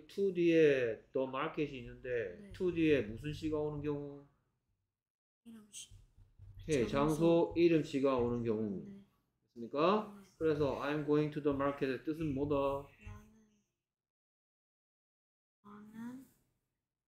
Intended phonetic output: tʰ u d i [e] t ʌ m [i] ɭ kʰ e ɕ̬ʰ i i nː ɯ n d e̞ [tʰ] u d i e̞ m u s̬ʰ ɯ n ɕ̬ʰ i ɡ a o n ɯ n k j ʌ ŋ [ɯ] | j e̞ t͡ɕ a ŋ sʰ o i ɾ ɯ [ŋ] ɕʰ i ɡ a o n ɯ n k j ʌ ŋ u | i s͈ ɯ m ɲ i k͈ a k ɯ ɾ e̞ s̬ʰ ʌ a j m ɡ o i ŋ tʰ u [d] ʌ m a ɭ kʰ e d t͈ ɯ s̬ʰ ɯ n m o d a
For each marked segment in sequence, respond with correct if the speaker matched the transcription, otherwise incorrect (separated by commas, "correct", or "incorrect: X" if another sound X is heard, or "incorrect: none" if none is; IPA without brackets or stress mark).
correct, incorrect: a, correct, incorrect: u, incorrect: m, correct